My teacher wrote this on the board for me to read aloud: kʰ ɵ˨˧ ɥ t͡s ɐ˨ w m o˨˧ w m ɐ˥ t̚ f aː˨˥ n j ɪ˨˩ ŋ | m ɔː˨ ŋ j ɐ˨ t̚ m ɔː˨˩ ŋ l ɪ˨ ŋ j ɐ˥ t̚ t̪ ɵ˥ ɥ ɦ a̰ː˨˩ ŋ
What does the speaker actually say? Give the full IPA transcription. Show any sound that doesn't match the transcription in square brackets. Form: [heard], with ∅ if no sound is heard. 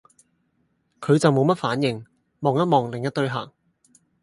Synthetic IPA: kʰ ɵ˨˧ ɥ t͡s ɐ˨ w m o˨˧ w m ɐ˥ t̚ f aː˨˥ n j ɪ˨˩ ŋ | m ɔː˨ ŋ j [ɐ˥] t̚ m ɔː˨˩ ŋ l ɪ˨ ŋ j ɐ˥ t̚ t̪ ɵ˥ ɥ ɦ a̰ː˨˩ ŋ